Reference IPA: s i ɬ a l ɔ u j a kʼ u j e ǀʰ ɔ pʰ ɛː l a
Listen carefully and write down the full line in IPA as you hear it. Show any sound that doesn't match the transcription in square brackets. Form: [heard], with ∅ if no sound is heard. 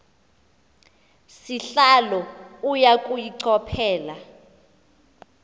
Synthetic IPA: s i ɬ a l ɔ u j a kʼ u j [i] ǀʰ ɔ pʰ ɛː l a